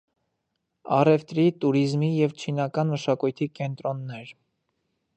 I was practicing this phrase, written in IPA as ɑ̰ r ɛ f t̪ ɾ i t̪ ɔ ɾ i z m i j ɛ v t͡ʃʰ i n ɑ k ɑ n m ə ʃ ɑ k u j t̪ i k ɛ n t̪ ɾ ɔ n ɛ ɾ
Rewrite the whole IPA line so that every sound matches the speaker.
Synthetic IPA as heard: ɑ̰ r ɛ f t̪ ɾ i t̪ u ɾ i z m i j ɛ v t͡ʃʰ i n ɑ k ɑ n m ə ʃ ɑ k u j t̪ʰ i k ɛ n t̪ ɾ ɔ nː ɛ ɾ